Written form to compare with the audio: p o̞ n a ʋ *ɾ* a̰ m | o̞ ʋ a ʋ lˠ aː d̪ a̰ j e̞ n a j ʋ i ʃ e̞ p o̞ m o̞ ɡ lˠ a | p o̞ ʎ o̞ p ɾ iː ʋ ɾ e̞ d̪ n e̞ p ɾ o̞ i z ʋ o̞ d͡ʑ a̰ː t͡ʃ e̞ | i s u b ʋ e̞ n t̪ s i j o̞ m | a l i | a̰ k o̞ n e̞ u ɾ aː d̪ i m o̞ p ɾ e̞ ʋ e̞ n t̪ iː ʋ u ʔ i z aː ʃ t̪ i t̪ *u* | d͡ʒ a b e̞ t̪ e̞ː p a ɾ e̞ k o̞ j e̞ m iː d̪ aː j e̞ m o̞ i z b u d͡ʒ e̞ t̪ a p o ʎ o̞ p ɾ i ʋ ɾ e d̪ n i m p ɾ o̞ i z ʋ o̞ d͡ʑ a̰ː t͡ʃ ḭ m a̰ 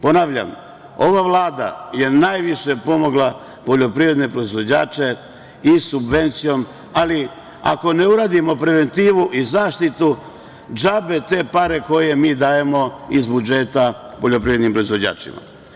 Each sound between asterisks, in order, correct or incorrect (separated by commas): incorrect, correct